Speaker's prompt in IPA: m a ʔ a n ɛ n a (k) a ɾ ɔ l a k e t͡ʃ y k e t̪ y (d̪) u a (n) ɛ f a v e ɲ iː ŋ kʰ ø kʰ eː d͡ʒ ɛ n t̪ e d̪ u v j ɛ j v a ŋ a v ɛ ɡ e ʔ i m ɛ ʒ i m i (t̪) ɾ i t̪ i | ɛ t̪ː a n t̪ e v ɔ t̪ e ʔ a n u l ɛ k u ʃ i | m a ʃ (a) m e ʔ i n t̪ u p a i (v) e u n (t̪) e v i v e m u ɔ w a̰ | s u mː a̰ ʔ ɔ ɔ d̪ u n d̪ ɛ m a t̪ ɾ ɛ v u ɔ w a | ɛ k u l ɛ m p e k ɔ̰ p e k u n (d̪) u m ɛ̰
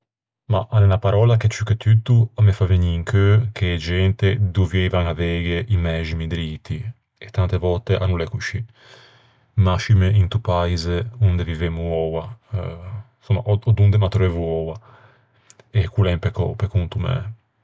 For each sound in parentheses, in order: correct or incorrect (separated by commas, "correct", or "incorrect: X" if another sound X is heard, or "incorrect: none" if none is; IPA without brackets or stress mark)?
incorrect: p, incorrect: t̪, incorrect: m, incorrect: d̪, incorrect: i, incorrect: z, incorrect: d̪, incorrect: t̪